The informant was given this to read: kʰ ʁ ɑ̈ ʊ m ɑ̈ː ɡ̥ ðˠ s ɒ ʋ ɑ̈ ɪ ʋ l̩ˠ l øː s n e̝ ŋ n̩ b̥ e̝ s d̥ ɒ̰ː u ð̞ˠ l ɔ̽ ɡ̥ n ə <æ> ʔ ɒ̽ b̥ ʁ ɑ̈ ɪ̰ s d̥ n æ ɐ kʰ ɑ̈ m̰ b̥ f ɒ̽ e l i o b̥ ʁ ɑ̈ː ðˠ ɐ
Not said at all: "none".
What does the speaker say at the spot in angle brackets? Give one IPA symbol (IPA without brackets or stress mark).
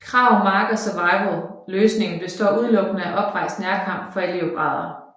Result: æ